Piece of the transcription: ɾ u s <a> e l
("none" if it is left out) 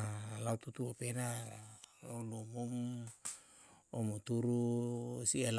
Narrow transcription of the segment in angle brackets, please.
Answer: i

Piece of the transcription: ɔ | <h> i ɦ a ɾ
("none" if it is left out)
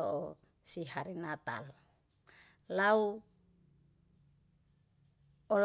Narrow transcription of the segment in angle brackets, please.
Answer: s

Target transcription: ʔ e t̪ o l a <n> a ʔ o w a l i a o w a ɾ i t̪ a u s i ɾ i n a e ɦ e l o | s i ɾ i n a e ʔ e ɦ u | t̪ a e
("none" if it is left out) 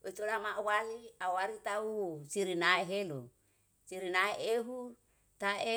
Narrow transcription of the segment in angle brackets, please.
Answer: m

